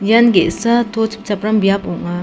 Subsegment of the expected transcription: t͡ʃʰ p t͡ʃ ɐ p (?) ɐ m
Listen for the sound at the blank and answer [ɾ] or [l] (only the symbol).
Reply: ɾ